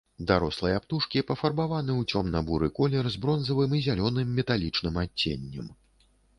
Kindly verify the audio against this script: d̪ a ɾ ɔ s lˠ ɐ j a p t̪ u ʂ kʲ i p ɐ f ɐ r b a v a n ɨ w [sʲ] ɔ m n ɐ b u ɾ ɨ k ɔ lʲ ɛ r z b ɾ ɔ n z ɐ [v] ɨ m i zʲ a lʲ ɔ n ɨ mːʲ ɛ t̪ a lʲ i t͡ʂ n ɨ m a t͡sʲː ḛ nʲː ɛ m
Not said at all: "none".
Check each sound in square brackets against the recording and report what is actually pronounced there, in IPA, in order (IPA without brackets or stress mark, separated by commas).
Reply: t͡sʲ, v